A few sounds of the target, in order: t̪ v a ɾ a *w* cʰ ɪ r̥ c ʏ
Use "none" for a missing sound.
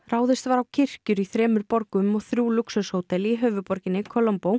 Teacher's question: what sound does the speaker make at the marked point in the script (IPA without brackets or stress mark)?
w